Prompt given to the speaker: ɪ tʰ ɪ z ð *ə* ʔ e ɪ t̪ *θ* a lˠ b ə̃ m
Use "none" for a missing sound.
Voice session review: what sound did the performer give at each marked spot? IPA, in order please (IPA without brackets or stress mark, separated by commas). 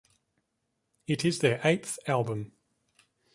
ə, θ